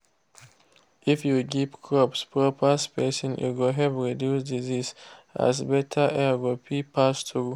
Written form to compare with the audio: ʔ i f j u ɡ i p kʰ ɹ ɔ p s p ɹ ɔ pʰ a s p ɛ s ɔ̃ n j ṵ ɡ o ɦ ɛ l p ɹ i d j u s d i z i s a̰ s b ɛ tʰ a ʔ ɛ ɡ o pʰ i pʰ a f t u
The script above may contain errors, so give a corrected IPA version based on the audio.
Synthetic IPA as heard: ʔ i f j u ɡ i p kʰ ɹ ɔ p s p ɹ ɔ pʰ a s p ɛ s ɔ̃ n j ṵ ɡ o ɦ ɛ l p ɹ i d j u s d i z i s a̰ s b ɛ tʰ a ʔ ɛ ɡ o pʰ i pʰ a s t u